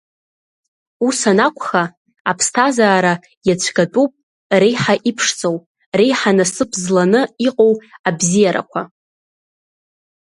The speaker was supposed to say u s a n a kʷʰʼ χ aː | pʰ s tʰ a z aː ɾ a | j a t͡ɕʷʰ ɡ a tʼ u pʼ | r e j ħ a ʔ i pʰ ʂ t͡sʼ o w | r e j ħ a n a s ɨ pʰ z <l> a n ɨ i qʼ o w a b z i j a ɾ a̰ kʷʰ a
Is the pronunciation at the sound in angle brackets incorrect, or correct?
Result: correct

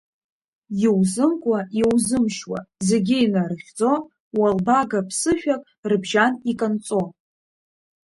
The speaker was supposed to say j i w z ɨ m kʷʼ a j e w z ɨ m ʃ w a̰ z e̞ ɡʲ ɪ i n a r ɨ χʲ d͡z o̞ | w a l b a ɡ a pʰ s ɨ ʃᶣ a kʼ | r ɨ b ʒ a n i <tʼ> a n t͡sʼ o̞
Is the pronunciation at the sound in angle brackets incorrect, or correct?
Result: incorrect: kʼ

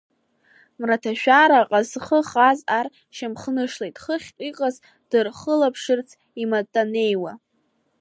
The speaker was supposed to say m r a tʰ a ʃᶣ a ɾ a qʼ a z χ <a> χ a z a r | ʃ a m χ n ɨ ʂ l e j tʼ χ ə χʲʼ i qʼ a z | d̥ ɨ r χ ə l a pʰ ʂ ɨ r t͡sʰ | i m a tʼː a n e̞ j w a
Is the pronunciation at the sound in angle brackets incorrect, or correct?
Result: incorrect: ə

